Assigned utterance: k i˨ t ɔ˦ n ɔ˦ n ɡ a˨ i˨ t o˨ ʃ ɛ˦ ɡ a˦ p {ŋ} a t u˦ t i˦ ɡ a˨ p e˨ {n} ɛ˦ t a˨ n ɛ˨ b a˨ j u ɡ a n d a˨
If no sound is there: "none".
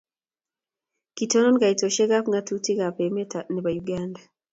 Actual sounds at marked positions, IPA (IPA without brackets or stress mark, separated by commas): ŋ, m